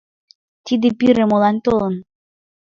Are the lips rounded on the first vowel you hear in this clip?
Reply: no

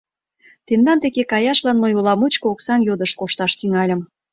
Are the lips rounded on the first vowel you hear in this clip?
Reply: no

